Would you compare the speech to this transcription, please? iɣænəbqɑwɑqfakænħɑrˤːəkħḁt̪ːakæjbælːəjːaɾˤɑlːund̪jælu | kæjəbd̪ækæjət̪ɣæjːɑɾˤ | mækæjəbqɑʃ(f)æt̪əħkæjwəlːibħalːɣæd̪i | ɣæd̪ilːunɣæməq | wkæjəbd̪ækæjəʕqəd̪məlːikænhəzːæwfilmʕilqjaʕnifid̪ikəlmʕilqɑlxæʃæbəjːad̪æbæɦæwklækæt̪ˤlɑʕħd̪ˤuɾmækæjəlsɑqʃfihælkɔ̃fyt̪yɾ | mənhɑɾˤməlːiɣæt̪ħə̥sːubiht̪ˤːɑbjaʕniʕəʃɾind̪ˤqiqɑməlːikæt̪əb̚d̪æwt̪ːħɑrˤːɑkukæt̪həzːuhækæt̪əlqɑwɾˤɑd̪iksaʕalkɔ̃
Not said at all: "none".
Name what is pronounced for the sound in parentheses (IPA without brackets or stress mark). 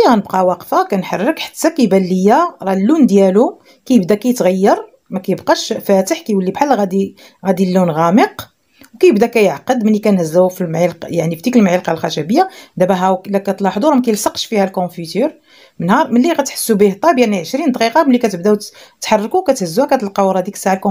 f